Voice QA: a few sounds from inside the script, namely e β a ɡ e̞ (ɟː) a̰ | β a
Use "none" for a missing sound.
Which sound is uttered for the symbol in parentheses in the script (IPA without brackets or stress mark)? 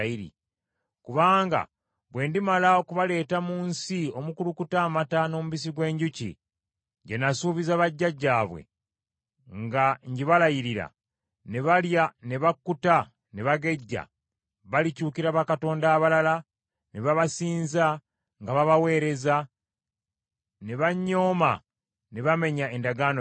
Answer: ɟː